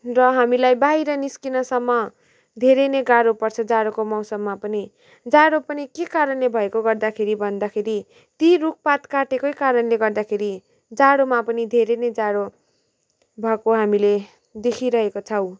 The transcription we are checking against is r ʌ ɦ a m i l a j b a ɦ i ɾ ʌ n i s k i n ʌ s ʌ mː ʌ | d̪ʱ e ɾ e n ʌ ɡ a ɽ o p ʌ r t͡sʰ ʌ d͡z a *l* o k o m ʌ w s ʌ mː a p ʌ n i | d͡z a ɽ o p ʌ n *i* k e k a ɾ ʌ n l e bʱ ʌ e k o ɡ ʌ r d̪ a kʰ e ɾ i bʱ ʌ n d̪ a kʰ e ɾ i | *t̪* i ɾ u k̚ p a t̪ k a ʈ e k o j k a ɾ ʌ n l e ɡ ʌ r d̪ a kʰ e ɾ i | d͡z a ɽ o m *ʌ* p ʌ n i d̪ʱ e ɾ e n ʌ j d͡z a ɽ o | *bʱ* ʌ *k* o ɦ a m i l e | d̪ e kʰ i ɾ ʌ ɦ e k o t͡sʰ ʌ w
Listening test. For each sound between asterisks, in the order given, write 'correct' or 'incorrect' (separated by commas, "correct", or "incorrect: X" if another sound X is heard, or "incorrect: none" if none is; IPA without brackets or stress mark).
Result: incorrect: ɽ, correct, correct, incorrect: a, correct, correct